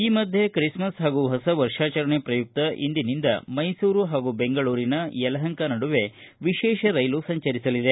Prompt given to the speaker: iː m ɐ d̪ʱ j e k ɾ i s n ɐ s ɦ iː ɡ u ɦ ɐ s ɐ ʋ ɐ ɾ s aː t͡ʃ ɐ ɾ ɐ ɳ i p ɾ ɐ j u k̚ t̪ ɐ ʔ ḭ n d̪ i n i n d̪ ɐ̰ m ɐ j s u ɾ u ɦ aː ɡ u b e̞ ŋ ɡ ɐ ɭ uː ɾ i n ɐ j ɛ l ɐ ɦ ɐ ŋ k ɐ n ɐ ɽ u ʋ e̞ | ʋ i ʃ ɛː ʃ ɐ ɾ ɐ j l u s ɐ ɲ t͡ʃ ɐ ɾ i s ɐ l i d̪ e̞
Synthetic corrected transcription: iː m ɐ d̪ʱ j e k ɾ i s m ɐ s ɦ aː ɡ u ɦ ɐ s ɐ ʋ ɐ ɾ ʂ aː t͡ʃ ɐ ɾ ɐ ɳ e p ɾ ɐ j u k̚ t̪ ɐ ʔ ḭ n d̪ i n i n d̪ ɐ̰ m ɐ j s uː ɾ u ɦ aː ɡ u b e̞ ŋ ɡ ɐ ɭ uː ɾ i n ɐ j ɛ l ɐ ɦ ɐ ŋ k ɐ n ɐ ɽ u ʋ e̞ | ʋ i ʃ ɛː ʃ ɐ ɾ ɐ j l u s ɐ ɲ t͡ʃ ɐ ɾ i s ɐ l i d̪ e̞